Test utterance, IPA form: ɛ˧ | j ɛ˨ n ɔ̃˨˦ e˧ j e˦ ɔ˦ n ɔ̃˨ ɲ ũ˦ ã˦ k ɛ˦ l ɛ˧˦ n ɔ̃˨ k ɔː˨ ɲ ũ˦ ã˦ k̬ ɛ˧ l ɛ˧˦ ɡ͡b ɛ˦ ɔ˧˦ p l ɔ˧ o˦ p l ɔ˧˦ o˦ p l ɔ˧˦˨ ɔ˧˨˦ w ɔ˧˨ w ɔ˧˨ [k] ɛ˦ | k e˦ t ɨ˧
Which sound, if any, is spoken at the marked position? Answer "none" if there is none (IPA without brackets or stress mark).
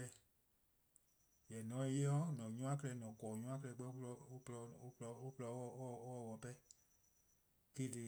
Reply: p